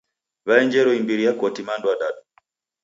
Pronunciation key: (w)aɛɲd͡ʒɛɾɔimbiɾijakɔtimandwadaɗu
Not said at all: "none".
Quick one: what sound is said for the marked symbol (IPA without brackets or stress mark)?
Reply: β